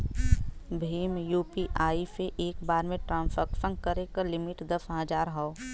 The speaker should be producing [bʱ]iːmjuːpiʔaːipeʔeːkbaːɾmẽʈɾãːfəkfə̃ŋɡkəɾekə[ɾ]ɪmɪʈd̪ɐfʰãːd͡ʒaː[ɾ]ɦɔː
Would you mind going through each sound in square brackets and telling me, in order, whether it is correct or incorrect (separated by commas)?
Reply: correct, incorrect, correct